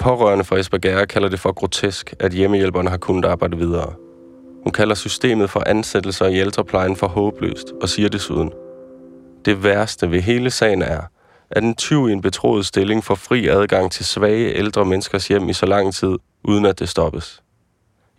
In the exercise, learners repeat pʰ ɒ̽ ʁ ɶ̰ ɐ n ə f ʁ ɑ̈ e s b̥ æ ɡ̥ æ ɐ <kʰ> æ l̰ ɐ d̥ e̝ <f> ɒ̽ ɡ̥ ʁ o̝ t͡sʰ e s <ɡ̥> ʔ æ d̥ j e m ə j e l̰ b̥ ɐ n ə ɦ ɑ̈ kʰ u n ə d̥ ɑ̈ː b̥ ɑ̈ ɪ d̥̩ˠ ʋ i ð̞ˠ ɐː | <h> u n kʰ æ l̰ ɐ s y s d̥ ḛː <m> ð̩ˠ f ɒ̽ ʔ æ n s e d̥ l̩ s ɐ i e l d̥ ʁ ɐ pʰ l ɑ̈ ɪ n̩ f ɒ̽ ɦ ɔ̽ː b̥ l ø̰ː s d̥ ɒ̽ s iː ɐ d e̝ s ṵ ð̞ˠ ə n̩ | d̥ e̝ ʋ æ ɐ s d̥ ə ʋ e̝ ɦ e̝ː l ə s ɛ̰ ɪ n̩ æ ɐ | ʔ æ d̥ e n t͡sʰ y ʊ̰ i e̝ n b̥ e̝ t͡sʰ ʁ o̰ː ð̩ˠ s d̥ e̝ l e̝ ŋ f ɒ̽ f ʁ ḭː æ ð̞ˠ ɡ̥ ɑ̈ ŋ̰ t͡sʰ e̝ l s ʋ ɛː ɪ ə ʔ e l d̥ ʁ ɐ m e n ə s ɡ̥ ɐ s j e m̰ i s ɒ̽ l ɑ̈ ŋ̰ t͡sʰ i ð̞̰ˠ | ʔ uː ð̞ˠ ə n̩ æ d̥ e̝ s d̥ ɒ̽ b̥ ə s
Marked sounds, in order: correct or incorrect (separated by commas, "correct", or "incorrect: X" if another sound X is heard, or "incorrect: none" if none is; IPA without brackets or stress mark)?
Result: correct, correct, correct, correct, correct